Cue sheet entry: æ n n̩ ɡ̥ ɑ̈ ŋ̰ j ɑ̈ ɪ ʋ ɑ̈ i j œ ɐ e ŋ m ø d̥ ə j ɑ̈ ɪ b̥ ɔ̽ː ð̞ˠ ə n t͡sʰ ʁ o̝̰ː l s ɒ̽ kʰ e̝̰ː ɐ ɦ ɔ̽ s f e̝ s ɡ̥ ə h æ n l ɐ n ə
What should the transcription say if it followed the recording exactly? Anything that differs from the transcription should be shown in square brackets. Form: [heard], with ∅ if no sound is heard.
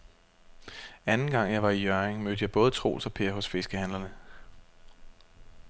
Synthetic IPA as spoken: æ n n̩ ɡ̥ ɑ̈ ŋ̰ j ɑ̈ ɪ ʋ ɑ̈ i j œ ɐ e ŋ m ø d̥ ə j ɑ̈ ɪ b̥ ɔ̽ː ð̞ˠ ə [∅] t͡sʰ ʁ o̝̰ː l s ɒ̽ [pʰ] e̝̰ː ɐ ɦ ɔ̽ s f e̝ s ɡ̥ ə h æ n l ɐ n ə